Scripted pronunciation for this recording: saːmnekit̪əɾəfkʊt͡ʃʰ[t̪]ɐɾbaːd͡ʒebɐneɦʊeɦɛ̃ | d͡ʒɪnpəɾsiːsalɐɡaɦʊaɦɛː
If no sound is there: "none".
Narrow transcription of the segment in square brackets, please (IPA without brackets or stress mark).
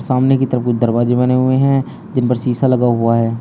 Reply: d̪